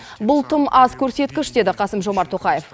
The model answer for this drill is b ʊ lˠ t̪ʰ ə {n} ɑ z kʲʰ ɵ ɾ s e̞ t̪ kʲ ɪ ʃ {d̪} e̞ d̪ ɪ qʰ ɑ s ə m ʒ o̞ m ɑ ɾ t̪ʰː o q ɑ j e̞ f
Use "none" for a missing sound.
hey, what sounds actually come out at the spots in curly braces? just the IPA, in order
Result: m, d̪

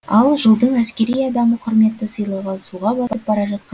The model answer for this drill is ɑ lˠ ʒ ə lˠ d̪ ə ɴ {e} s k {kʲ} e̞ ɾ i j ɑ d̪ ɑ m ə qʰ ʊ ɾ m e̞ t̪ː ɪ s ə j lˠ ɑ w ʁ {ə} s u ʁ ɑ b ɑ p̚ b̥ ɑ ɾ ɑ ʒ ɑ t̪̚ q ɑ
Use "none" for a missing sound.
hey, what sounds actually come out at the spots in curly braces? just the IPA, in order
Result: æ, kʲ, ɑ

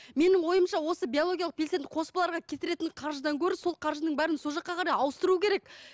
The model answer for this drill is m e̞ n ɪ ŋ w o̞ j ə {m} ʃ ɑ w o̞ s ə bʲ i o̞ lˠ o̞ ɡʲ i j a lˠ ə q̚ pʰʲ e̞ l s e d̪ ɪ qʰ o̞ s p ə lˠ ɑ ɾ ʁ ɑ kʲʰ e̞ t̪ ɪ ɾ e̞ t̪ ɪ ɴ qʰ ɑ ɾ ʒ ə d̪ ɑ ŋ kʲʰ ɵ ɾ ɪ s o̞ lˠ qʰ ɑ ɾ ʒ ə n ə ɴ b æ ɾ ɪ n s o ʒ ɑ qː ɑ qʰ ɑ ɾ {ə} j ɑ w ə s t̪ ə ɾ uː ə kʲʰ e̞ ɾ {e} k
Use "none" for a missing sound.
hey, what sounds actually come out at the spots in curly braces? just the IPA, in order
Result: m, ɑ, e

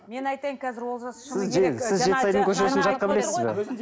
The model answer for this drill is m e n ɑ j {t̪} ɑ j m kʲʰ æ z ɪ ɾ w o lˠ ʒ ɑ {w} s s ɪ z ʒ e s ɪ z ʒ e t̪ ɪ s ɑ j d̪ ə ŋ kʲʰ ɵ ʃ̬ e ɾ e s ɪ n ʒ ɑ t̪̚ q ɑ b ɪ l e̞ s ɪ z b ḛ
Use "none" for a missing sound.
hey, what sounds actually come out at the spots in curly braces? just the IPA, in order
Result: t̪, none

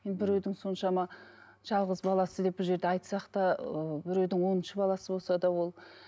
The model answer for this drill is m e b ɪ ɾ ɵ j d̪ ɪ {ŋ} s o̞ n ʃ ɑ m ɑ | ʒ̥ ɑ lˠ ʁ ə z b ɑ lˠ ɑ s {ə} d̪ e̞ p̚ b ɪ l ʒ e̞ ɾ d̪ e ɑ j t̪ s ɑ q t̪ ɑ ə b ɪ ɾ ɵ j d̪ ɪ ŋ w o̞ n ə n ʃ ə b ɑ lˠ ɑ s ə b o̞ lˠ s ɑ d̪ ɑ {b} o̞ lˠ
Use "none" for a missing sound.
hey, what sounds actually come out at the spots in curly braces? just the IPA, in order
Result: ŋ, ə, w

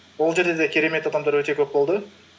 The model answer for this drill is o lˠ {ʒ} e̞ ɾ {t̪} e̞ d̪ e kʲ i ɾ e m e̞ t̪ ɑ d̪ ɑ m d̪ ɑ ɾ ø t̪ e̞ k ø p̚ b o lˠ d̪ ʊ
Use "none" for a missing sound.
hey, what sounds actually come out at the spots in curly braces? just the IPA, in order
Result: d͡ʒ, d̪

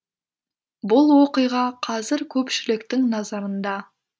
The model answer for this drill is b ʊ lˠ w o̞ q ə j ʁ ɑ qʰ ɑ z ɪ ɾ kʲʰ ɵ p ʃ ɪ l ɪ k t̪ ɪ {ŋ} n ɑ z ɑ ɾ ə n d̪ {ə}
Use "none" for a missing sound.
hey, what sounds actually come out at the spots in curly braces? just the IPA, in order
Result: ŋ, ɑ

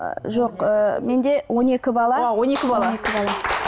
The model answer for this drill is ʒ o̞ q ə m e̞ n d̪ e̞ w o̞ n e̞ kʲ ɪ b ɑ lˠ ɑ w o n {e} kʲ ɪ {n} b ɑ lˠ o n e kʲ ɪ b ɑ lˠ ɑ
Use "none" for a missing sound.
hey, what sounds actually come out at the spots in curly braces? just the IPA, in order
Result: e, none

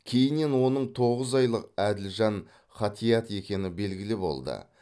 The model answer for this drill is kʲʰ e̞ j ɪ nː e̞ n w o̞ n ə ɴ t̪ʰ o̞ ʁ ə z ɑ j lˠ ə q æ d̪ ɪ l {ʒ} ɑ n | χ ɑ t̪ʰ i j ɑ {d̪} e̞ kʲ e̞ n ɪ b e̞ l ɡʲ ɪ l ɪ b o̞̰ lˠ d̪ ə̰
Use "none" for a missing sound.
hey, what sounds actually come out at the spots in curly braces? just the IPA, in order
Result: ʒ, t̪

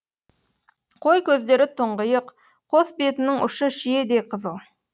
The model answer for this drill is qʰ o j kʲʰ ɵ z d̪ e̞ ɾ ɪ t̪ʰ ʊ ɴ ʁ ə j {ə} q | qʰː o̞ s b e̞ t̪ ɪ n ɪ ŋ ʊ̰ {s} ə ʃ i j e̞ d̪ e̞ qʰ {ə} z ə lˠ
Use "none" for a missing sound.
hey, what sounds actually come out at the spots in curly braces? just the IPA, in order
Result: ə, ʃ, ə

